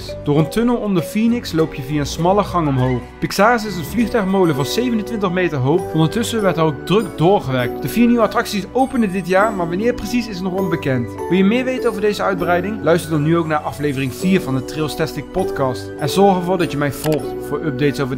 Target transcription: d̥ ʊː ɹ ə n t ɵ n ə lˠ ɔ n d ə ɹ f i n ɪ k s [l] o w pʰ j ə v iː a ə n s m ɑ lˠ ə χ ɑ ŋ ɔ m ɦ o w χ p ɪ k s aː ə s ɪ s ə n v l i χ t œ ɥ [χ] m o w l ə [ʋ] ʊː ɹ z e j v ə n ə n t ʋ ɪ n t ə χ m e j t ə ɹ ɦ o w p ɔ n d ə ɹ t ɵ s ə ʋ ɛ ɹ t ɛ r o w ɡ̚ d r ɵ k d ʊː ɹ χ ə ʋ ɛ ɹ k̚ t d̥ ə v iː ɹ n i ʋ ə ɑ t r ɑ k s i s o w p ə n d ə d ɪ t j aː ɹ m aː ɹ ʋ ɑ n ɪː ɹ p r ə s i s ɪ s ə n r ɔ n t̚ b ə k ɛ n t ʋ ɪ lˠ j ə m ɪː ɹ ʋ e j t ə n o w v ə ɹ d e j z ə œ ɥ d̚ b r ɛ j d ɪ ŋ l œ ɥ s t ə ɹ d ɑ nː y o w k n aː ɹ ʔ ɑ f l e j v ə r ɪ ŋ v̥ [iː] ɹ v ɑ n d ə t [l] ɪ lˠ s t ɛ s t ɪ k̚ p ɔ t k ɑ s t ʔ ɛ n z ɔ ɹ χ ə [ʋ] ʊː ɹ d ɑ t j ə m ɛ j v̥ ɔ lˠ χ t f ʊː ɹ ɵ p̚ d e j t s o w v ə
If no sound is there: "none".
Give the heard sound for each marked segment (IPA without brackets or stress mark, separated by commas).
l, χ, v, iː, r, v